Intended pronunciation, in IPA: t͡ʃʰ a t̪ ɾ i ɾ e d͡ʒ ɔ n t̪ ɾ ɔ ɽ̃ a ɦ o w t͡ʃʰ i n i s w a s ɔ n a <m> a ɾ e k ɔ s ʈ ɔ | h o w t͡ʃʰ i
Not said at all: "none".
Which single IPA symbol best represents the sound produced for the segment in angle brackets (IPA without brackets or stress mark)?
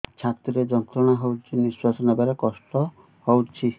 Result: b